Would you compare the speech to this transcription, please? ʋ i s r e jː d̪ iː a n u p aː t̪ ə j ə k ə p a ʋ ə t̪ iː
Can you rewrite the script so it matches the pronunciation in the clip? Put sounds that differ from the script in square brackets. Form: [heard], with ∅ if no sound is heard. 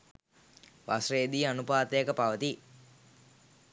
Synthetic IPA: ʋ [a] s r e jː d̪ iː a n u p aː t̪ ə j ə k ə p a ʋ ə t̪ [i]